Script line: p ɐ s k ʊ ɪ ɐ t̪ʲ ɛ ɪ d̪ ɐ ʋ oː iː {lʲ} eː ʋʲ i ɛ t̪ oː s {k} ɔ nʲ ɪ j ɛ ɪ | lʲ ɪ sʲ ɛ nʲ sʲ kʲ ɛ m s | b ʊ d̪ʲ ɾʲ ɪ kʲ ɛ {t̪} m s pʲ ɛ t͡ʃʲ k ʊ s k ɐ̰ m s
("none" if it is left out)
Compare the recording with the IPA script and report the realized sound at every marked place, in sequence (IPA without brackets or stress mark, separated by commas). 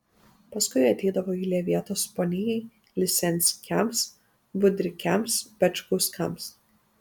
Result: lʲ, p, none